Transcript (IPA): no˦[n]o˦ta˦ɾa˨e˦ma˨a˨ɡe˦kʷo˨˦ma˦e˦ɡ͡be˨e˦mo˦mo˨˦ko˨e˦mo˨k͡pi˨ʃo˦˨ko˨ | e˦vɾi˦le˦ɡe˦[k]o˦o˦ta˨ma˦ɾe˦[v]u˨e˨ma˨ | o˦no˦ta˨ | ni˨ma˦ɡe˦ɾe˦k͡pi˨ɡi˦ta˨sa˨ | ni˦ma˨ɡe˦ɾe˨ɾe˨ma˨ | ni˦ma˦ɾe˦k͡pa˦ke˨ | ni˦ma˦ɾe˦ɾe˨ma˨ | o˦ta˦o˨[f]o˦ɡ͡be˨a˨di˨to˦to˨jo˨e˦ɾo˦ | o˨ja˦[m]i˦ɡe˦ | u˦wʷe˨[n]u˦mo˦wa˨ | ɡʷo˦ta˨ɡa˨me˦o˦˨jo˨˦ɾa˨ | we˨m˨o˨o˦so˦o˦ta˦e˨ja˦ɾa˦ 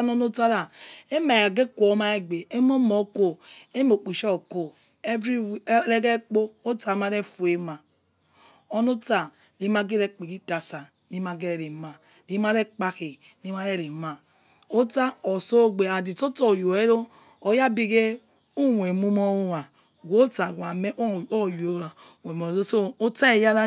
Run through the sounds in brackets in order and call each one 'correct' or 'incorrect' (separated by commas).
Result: correct, incorrect, incorrect, incorrect, incorrect, incorrect